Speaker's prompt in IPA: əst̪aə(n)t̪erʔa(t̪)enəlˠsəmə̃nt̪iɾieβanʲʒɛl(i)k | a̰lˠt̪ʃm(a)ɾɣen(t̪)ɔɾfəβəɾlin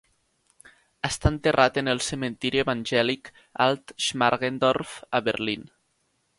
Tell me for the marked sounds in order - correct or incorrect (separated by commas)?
correct, correct, correct, correct, incorrect